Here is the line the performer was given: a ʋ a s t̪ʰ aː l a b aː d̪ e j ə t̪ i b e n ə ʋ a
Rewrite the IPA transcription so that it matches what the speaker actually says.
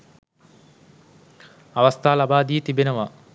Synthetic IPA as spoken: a ʋ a s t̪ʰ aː l a b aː d̪ i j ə t̪ i b e n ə ʋ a